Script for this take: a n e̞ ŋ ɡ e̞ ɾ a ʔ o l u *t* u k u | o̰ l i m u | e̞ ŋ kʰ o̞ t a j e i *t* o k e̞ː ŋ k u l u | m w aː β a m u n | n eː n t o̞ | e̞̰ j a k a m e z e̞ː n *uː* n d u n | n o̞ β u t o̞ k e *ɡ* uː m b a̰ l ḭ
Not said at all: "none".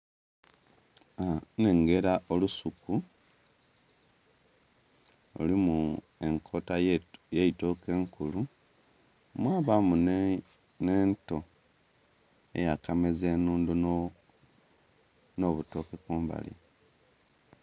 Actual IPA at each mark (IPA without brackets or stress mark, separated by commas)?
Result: s, t, uː, k